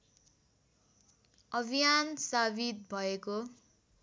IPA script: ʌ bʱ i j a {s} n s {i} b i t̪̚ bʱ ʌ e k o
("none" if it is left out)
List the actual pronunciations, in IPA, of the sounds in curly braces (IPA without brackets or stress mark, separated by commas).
none, a